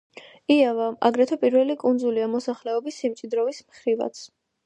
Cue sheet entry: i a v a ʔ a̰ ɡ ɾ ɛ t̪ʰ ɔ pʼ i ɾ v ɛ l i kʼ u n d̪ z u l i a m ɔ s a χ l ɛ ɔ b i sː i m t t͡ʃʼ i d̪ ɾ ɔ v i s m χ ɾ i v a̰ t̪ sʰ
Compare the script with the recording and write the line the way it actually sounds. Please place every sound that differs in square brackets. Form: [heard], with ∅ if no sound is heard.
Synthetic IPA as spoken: i a v a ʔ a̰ ɡ ɾ ɛ t̪ʰ ɔ pʼ i ɾ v ɛ l i kʼ u n d̪ z u l i a m ɔ s a χ l ɛ ɔ b i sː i m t t͡ʃʼ i d̪ ɾ ɔ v i s m χ ɾ i v a̰ t̪ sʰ